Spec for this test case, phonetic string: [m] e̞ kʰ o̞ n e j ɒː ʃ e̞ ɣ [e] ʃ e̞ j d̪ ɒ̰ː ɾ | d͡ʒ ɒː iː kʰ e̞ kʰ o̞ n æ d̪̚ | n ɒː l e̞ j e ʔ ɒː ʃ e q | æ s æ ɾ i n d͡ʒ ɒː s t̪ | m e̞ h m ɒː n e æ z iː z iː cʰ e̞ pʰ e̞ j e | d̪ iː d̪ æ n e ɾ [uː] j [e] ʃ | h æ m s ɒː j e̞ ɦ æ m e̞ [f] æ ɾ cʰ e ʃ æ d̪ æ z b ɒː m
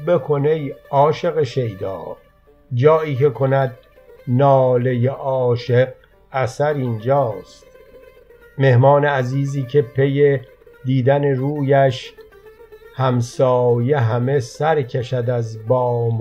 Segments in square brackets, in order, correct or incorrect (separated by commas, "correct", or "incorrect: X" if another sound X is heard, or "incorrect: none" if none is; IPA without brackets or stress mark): incorrect: b, correct, correct, incorrect: æ, incorrect: s